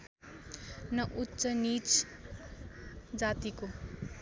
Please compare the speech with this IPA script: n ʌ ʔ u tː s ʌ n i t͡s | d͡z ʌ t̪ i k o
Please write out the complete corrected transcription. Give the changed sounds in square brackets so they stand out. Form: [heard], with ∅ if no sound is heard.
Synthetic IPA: n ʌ ʔ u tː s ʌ n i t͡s | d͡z [a] t̪ i k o